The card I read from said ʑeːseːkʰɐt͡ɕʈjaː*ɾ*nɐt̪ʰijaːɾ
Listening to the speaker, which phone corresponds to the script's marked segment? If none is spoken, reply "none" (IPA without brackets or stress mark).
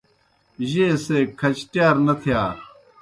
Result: ɾ